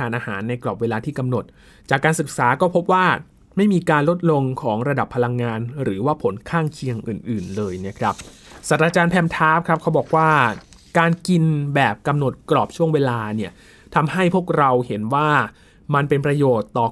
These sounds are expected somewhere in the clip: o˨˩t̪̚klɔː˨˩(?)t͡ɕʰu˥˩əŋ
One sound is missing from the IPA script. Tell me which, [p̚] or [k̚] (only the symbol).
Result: p̚